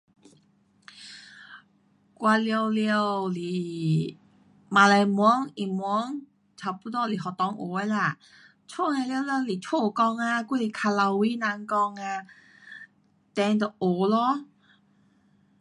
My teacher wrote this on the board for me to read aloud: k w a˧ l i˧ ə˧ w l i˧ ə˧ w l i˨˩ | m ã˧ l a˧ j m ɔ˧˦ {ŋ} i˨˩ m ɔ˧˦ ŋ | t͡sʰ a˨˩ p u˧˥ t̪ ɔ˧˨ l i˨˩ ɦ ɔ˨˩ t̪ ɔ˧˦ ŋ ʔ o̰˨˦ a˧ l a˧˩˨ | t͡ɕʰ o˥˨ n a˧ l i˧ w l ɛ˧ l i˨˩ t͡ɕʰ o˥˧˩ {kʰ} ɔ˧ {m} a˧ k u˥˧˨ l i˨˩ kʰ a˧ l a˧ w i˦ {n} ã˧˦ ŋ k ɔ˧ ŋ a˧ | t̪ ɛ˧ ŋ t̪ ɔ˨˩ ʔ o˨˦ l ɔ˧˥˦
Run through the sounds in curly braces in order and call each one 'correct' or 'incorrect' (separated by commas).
correct, incorrect, incorrect, correct